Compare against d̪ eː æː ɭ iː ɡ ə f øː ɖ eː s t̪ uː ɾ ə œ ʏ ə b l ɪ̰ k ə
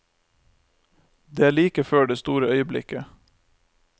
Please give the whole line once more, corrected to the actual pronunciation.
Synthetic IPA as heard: d̪ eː æː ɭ iː k ə f øː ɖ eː s t̪ uː ɾ ə œ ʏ ə b l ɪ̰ k ə